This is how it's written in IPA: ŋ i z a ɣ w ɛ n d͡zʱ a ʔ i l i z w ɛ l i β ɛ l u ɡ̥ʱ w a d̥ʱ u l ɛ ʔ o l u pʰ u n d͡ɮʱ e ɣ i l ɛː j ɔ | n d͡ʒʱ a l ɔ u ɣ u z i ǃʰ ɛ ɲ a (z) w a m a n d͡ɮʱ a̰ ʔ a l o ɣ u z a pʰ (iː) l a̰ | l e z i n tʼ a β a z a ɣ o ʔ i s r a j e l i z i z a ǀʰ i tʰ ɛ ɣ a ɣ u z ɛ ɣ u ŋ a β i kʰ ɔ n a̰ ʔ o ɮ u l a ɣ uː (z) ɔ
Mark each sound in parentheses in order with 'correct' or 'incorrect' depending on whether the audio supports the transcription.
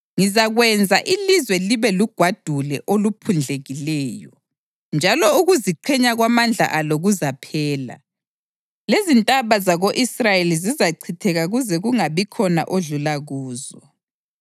incorrect: ɣ, incorrect: ɛː, correct

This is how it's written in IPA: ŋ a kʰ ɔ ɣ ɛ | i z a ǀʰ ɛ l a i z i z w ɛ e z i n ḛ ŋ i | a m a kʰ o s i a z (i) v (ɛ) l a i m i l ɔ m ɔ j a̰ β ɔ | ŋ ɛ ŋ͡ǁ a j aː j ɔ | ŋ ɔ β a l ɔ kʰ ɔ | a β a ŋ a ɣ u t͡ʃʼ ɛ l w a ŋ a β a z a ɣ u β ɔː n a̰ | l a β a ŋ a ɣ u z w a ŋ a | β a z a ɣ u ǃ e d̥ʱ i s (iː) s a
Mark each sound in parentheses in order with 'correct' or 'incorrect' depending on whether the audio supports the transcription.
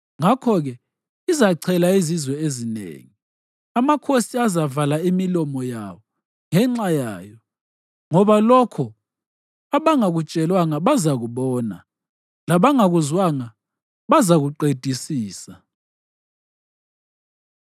incorrect: a, incorrect: a, correct

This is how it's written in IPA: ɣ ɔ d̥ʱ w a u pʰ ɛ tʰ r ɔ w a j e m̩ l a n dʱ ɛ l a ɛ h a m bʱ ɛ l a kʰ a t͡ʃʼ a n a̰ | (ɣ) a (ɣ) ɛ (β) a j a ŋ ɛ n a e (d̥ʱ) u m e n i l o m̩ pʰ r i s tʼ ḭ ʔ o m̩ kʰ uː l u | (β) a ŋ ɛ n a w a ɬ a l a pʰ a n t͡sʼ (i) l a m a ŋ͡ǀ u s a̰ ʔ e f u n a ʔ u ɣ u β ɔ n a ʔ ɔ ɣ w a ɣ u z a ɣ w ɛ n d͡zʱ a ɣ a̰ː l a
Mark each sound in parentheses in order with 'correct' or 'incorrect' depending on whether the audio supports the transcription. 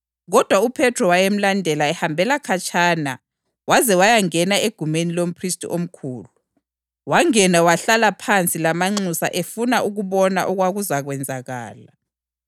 incorrect: w, incorrect: z, incorrect: w, incorrect: ɡ̥ʱ, incorrect: w, correct

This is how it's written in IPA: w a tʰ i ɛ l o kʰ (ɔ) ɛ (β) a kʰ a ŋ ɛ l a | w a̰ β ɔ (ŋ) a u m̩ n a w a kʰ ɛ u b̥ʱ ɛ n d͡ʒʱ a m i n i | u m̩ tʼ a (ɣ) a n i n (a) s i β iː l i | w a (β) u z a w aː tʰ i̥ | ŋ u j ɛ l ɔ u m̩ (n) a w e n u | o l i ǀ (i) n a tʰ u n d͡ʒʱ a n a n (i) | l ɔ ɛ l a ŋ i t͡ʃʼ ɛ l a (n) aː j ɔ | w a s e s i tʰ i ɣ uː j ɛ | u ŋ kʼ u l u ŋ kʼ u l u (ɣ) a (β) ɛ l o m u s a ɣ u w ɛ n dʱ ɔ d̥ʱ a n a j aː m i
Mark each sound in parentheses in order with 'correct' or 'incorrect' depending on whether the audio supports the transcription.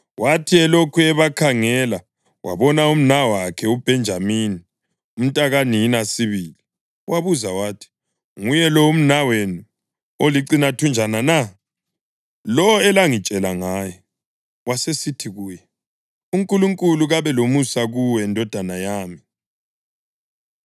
incorrect: u, correct, incorrect: n, correct, correct, correct, correct, correct, incorrect: a, incorrect: ŋ, correct, correct

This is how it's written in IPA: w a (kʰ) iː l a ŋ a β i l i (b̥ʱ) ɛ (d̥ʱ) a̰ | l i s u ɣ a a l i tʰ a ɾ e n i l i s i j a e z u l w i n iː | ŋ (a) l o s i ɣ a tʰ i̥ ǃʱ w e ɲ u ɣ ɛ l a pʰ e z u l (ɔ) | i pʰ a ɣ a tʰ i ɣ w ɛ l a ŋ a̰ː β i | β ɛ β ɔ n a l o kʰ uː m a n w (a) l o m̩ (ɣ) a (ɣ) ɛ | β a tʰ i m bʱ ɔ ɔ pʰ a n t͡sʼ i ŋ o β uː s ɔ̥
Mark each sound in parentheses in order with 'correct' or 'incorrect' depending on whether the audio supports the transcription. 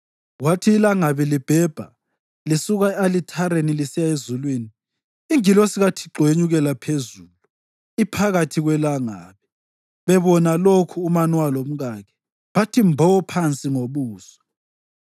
incorrect: tʰ, correct, incorrect: b̥ʱ, incorrect: i, incorrect: u, correct, correct, correct

